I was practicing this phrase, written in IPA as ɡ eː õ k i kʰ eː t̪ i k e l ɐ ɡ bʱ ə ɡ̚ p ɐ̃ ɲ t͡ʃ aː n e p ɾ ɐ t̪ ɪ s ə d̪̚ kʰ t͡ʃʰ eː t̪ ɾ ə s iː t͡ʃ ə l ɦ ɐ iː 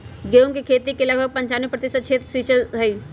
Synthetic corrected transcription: ɡ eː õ k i kʰ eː t̪ i k e l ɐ ɡ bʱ ə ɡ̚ p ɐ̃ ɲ t͡ʃ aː n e p ɾ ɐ t̪ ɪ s ə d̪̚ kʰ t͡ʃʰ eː t̪ ɾ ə s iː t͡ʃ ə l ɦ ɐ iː